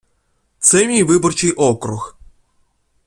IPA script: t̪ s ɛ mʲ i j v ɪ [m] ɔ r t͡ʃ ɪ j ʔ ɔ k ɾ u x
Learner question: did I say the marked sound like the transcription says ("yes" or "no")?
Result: no